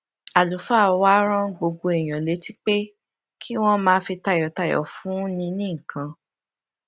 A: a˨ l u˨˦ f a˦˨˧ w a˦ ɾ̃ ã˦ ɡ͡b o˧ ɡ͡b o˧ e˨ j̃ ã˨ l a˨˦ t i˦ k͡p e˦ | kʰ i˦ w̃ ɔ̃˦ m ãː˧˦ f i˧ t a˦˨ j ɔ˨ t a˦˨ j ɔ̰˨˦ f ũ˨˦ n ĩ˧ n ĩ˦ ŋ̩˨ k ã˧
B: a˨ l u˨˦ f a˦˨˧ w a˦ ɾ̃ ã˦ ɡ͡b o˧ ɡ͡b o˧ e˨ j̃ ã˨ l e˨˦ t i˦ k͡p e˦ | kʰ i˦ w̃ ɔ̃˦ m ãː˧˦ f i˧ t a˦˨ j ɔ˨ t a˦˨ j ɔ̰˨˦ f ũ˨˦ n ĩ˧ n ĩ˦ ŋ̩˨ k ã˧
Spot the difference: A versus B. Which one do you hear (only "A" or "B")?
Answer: B